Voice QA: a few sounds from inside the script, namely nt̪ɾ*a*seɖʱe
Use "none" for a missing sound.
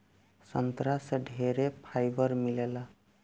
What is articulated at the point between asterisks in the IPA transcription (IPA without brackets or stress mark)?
a